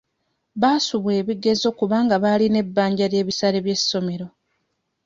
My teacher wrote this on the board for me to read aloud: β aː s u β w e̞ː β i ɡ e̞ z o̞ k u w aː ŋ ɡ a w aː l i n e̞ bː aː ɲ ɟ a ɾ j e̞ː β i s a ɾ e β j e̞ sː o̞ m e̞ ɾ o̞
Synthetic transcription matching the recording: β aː s u β w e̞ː β i ɡ e̞ z o̞ k u β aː ŋ ɡ a β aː l i n e̞ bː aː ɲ ɟ a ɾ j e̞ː β i s a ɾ e β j e̞ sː o̞ m e̞ ɾ o̞